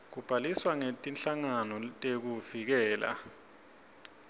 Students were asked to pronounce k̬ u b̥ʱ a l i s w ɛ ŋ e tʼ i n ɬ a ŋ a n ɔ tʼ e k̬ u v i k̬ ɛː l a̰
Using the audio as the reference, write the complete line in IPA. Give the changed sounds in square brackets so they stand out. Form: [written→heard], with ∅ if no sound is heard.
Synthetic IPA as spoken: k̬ u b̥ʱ a l i s w [ɛ→a] ŋ e tʼ i n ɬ a ŋ a n ɔ tʼ e k̬ u v i k̬ ɛː l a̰